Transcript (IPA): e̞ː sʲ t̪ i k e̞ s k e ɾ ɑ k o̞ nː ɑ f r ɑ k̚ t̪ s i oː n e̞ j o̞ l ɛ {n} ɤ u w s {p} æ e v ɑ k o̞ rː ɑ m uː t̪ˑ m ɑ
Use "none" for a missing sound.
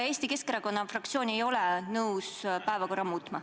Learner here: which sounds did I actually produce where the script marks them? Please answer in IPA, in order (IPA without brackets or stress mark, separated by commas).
n, p